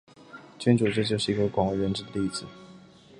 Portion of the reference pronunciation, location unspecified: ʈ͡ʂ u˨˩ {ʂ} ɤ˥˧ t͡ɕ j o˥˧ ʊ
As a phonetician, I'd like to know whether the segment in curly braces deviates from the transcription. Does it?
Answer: yes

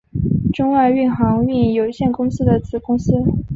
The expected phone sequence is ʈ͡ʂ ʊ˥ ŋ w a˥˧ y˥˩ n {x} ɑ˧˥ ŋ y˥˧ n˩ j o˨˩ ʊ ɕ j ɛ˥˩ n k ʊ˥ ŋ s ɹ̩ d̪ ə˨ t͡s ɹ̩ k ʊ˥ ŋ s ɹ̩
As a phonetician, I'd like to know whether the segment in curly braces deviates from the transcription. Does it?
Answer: no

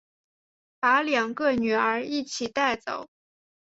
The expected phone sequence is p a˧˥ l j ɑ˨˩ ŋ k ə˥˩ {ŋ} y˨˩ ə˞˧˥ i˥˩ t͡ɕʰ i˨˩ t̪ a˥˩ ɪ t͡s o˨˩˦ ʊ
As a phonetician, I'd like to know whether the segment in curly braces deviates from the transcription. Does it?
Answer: yes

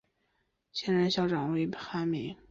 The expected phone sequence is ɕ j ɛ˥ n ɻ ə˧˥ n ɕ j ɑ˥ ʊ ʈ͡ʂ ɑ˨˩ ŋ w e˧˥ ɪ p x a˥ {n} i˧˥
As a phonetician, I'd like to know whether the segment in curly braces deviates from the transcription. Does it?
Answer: yes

